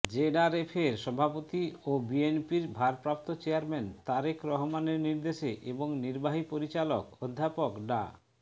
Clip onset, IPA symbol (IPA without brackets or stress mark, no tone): d͡ʑ